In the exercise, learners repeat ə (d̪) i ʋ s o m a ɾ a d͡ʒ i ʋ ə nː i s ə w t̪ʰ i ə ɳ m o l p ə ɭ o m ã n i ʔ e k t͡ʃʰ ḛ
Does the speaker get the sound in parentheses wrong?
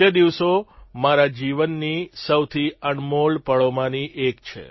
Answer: no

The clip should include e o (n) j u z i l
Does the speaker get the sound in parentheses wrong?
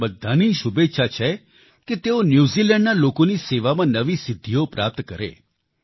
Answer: no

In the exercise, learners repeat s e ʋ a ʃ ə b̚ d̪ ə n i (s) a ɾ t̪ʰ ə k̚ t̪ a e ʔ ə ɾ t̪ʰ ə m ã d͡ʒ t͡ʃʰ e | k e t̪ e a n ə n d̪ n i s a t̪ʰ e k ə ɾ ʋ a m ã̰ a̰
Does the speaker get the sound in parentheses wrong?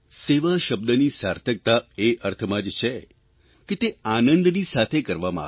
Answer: no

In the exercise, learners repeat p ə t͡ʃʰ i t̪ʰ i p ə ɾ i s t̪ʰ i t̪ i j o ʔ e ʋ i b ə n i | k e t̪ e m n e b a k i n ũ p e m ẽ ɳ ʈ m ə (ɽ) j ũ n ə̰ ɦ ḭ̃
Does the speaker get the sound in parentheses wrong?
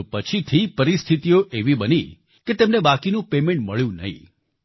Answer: yes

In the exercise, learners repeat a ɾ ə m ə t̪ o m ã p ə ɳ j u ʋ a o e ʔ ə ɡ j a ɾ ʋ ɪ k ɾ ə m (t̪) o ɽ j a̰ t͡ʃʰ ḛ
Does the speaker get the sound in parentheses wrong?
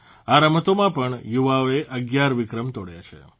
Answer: no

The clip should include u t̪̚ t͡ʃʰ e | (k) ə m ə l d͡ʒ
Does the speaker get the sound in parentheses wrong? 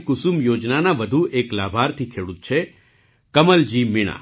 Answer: no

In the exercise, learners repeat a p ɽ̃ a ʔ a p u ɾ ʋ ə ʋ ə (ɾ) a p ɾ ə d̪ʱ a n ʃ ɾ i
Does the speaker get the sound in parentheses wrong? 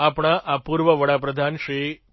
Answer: yes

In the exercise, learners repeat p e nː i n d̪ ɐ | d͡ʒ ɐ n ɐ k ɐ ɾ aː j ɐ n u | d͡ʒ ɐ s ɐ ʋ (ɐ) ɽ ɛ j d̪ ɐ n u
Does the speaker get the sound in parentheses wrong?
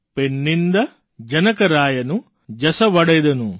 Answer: no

